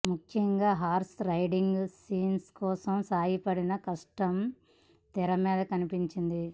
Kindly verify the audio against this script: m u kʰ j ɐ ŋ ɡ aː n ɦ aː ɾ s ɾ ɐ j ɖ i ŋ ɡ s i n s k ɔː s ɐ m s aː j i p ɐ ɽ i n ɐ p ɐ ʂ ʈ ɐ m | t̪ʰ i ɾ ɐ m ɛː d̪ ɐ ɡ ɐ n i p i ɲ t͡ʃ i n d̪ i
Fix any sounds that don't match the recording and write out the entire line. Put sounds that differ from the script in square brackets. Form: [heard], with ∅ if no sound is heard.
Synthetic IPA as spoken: m u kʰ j ɐ ŋ ɡ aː [∅] ɦ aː ɾ s ɾ ɐ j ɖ i ŋ ɡ s [iː] n s k ɔː s ɐ m s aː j i p ɐ ɽ i n ɐ [k] ɐ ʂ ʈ ɐ m | [t̪] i ɾ ɐ m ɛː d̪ ɐ [k] ɐ n i p i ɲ t͡ʃ i n d̪ i